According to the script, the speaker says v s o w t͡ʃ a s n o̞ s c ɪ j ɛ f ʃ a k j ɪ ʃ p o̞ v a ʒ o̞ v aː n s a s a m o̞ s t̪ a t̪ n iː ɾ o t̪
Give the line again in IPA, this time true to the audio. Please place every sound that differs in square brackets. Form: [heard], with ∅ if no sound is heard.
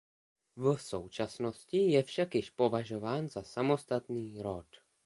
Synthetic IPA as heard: v s o w t͡ʃ a s n o̞ s c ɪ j ɛ f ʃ a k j ɪ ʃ p o̞ v a ʒ o̞ v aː n [z] a s a m o̞ s t̪ a t̪ n iː ɾ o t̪